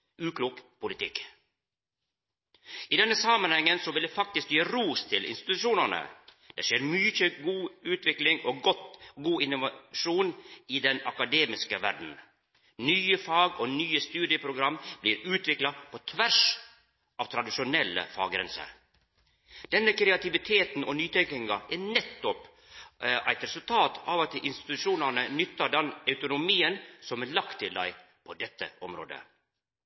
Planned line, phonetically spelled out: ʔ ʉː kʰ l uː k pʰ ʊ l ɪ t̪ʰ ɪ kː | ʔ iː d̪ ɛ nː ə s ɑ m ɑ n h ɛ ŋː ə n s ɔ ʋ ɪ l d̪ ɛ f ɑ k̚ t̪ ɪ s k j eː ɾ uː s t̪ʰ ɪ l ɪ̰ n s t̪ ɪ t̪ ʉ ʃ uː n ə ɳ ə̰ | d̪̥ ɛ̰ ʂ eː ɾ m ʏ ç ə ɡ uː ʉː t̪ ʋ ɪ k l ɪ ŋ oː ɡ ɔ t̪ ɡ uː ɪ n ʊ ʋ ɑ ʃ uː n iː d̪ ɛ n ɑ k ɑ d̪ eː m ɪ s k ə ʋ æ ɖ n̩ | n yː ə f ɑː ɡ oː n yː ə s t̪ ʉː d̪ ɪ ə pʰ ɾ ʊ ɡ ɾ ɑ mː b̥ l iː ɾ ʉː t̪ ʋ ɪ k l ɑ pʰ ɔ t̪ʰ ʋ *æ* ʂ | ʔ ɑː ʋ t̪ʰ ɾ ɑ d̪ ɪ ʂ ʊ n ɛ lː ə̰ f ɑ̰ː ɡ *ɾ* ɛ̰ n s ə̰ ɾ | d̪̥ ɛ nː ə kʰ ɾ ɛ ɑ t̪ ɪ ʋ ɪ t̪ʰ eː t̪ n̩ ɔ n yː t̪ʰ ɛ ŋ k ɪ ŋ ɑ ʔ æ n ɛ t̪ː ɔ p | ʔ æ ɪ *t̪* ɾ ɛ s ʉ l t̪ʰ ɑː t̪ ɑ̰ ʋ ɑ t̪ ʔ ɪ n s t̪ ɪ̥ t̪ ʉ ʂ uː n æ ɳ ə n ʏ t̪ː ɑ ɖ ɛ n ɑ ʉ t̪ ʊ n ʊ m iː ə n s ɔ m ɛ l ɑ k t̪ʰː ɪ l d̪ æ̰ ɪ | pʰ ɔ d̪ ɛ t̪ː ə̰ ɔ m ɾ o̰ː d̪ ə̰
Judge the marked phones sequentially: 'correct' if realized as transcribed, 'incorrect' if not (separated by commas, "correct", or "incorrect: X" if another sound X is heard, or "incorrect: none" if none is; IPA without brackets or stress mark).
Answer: correct, correct, correct